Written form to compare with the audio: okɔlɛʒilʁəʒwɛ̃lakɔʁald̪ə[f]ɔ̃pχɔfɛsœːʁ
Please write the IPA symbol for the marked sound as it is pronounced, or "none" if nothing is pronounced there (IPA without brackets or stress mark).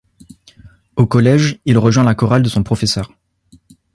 s